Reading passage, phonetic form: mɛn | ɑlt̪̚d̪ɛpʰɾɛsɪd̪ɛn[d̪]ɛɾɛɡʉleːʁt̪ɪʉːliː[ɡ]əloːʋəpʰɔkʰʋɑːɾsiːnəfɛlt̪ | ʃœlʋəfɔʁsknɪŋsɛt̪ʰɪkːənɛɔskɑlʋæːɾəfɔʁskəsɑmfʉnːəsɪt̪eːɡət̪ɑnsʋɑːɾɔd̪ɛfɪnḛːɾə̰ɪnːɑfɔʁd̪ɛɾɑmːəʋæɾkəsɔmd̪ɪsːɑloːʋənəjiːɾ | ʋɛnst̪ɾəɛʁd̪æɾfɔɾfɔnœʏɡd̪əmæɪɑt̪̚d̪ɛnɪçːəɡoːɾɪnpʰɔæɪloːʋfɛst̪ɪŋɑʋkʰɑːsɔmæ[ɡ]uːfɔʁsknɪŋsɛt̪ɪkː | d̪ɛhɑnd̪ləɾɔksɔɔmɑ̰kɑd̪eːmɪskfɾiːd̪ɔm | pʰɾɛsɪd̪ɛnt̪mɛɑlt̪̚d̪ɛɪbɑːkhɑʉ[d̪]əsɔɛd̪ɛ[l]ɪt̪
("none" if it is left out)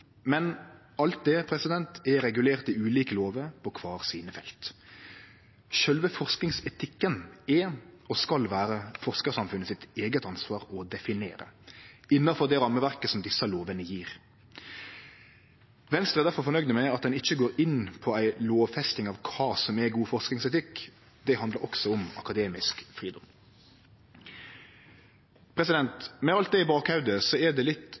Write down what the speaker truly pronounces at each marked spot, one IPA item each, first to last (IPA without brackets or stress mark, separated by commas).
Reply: t̪, k, ɡ, d̪, l